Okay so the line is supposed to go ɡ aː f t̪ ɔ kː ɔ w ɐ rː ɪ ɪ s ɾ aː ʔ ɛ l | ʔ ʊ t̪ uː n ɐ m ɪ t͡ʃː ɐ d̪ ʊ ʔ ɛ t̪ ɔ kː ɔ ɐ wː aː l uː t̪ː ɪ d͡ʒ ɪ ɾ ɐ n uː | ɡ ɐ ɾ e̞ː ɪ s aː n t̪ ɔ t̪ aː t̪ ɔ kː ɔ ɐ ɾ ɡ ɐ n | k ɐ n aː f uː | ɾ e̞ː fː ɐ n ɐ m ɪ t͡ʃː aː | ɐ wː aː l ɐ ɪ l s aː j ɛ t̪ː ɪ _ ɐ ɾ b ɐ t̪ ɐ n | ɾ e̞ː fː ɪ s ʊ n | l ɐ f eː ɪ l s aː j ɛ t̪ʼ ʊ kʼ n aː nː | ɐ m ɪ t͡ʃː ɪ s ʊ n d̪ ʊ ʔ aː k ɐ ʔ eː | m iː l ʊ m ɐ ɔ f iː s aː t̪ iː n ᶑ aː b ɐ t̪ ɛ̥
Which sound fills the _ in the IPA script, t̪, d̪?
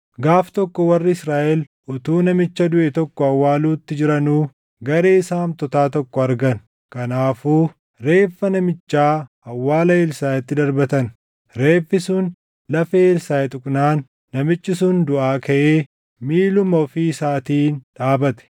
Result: d̪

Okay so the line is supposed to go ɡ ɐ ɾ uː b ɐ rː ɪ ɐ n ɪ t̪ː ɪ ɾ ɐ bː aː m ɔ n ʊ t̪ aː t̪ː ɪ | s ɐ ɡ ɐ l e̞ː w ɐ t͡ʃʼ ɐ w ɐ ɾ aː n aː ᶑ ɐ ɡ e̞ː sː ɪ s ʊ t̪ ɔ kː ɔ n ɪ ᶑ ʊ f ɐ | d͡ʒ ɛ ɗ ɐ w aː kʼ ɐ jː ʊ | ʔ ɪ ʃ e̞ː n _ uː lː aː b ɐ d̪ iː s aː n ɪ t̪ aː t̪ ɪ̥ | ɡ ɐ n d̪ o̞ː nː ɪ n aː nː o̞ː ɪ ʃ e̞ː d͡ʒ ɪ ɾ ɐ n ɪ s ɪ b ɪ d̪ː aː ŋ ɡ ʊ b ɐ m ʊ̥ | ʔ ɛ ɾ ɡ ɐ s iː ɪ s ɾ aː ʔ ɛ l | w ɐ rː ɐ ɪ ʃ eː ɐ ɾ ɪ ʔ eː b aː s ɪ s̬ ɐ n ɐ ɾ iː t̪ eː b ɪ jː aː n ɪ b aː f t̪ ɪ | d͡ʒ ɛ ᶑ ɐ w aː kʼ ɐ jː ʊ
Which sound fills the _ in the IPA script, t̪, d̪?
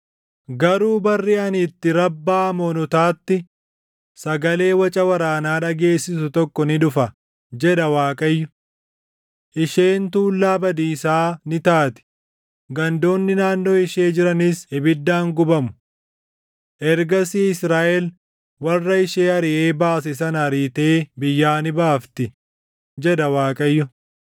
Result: t̪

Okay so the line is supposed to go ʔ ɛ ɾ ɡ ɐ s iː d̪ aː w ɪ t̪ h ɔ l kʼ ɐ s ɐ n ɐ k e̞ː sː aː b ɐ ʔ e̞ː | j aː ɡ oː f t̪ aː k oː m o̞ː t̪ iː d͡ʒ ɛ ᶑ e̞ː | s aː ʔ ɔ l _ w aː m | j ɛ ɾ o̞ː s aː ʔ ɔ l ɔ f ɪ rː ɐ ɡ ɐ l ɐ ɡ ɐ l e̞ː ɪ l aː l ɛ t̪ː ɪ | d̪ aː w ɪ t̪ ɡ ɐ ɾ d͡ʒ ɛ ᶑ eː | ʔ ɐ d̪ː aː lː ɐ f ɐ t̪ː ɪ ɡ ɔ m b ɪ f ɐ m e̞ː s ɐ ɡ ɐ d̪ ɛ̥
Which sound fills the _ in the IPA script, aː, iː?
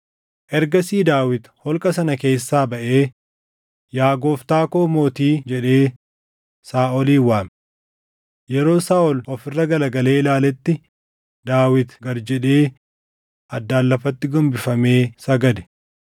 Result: iː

